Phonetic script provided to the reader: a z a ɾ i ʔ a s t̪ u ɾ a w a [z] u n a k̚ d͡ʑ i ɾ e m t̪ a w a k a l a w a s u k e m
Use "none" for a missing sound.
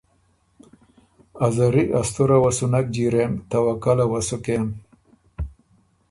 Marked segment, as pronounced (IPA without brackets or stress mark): s